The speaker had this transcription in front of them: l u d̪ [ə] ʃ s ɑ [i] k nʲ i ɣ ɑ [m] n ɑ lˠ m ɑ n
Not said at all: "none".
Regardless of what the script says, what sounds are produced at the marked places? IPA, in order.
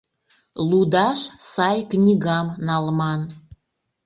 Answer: ɑ, j, m

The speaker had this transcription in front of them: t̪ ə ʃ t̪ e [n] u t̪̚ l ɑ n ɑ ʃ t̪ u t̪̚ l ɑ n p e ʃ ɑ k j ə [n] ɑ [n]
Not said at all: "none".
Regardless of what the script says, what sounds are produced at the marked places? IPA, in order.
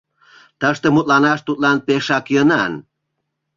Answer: m, n, n

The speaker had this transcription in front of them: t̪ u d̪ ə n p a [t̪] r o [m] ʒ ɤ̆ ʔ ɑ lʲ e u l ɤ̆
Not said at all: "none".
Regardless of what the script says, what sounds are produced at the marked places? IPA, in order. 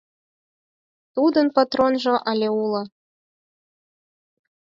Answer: t̪, n

